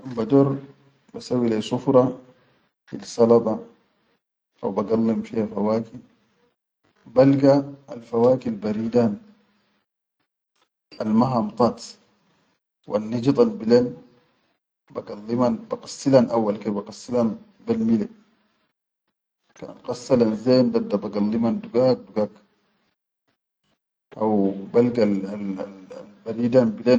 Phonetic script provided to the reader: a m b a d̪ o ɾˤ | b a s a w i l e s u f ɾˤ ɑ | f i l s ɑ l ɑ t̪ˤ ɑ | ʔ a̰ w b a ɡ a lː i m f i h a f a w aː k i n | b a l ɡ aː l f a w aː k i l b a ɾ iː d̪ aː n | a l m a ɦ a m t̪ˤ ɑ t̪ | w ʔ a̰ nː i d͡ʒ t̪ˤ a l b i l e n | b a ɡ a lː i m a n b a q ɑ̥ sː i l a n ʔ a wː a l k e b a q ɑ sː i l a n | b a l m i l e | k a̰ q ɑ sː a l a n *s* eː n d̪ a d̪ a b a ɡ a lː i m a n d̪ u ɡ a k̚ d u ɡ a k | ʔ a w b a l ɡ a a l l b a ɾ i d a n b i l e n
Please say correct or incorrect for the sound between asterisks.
incorrect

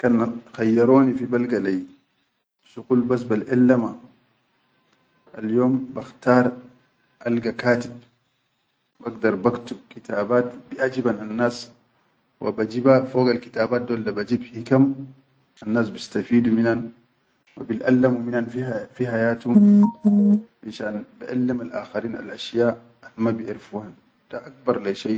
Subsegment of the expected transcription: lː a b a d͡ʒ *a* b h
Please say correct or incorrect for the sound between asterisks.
incorrect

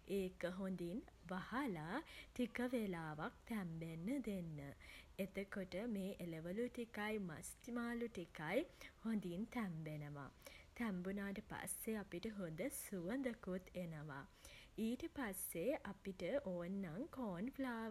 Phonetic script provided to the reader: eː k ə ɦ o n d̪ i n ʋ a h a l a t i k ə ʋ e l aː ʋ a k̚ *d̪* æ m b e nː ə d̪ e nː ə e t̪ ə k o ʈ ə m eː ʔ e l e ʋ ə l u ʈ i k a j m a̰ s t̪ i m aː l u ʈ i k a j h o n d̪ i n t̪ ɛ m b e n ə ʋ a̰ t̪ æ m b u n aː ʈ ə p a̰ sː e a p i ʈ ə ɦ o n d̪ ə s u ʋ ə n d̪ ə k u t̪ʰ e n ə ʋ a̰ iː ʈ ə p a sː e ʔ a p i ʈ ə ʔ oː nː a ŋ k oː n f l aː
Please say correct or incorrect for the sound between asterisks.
incorrect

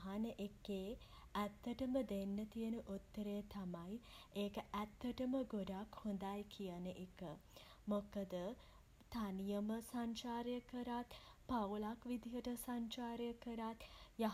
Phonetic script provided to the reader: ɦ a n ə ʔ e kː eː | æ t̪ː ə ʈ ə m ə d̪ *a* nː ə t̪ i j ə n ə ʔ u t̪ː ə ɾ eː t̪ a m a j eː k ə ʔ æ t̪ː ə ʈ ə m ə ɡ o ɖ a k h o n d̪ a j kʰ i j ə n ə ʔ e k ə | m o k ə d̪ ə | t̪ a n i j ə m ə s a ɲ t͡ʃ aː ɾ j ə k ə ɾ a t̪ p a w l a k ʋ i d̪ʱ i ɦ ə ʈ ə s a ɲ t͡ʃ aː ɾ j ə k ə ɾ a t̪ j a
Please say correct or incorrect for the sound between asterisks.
incorrect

